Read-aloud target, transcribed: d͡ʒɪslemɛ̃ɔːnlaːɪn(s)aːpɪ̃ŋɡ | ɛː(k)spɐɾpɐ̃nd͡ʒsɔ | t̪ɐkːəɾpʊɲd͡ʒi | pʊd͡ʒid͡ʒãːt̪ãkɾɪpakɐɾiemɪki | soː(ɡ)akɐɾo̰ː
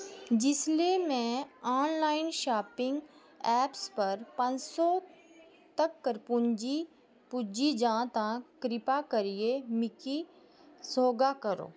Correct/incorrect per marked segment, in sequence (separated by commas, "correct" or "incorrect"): incorrect, incorrect, correct